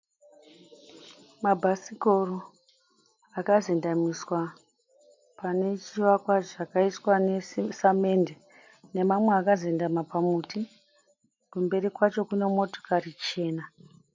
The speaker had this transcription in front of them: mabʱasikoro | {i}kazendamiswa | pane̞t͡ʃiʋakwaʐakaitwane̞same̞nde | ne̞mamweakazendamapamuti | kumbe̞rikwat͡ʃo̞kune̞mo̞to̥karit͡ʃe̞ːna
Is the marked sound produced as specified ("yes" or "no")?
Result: no